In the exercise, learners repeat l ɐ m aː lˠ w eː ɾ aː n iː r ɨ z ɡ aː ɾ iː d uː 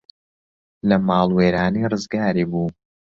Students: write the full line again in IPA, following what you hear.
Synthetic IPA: l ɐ m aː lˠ w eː ɾ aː n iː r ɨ z ɡ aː ɾ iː b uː